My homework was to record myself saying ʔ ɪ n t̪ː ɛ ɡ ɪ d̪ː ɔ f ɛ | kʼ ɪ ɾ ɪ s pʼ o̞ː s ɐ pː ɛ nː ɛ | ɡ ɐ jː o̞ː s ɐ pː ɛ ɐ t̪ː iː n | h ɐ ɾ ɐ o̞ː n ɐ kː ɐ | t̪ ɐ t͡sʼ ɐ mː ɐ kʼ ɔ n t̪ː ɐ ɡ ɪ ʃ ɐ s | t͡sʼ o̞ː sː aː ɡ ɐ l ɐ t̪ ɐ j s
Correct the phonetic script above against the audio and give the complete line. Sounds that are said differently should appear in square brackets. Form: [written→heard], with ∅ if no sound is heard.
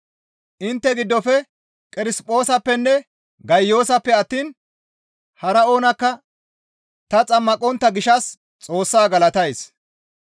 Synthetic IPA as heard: ʔ ɪ n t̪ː ɛ ɡ ɪ d̪ː ɔ f ɛ | kʼ ɪ ɾ ɪ s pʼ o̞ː s ɐ pː ɛ nː ɛ | ɡ ɐ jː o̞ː s ɐ pː ɛ ɐ t̪ː iː n | h ɐ ɾ ɐ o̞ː n ɐ kː ɐ | t̪ ɐ t͡sʼ ɐ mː ɐ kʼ ɔ n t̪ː ɐ ɡ ɪ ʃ ɐ s | t͡sʼ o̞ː sː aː ɡ ɐ l ɐ t̪ ɐ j s